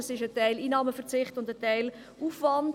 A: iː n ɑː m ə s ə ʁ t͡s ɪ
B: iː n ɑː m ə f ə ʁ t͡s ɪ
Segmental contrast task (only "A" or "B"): B